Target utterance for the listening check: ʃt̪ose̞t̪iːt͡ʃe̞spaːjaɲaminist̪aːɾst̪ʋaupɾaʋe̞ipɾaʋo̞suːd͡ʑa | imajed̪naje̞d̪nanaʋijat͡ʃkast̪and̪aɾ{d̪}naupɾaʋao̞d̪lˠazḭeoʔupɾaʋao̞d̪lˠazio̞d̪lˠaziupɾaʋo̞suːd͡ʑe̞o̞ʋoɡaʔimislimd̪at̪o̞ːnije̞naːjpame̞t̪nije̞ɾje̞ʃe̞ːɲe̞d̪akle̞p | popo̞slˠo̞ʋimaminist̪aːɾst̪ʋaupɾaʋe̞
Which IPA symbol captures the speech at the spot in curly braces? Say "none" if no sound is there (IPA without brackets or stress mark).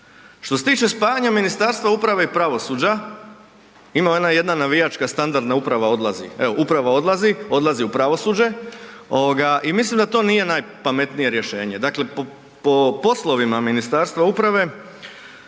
d̪